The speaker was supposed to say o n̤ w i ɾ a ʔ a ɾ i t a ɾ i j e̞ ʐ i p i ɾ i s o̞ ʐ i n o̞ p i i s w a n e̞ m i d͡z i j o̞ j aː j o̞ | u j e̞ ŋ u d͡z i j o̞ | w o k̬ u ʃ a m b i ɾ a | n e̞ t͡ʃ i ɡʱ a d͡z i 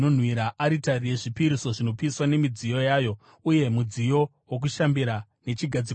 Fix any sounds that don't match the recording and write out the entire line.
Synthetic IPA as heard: o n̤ w i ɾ a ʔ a ɾ i t a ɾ i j e̞ ʐ i p i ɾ i s o̞ ʐ i n o̞ p i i s w a n e̞ m i d͡z i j o̞ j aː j o̞ | u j e̞ m u d͡z i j o̞ | w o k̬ u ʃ a m b i ɾ a | n e̞ t͡ʃ i ɡʱ a d͡z i